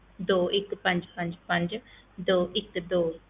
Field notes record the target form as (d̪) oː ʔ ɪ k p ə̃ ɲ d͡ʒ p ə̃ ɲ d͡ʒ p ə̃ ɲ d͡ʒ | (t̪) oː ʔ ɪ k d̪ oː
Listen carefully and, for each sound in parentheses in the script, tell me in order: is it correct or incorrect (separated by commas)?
correct, incorrect